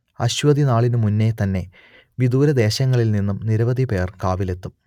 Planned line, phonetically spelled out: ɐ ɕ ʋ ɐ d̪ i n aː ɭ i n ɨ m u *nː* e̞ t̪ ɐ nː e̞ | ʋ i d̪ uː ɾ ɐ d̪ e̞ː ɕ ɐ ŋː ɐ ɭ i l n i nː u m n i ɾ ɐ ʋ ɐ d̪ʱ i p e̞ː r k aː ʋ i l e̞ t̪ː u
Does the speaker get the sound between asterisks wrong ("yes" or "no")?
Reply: no